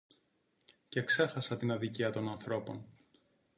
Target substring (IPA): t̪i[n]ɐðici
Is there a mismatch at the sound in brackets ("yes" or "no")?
no